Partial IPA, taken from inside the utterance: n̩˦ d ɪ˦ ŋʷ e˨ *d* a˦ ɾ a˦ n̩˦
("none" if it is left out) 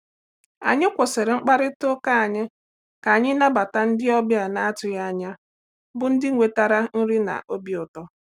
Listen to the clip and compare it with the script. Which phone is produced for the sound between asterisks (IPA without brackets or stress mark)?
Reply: t